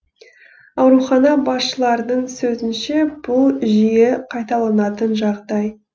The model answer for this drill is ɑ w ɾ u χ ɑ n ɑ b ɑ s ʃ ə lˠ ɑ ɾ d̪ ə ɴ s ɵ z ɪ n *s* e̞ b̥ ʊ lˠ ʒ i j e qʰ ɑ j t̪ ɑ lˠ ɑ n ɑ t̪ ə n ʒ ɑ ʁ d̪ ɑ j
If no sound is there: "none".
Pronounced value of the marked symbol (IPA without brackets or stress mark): ʃ